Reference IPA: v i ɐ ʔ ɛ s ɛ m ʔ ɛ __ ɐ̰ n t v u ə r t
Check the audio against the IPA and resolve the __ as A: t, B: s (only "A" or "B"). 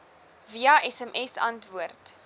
B